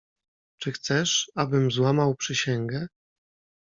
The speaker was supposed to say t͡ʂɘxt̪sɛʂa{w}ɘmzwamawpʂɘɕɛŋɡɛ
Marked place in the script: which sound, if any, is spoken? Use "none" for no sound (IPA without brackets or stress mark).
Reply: b